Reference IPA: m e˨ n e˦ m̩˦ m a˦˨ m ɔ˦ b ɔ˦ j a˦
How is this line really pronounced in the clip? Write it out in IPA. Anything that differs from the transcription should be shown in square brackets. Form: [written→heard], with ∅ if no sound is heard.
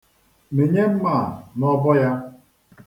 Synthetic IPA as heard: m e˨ [n→ɲ] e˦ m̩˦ m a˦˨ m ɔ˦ b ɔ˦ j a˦